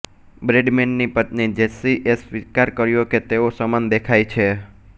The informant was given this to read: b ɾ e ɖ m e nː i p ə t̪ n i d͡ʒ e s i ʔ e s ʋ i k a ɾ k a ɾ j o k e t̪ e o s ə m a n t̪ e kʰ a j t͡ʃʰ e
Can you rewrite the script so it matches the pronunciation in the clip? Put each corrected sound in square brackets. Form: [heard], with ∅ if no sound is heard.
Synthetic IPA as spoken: b ɾ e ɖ m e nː i p ə t̪ n i d͡ʒ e s i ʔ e s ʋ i k a ɾ k [ə] ɾ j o k e t̪ e o s ə m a n [d̪] e kʰ a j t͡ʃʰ e